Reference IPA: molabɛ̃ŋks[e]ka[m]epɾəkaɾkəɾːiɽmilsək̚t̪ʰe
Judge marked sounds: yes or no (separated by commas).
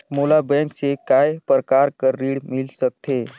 yes, no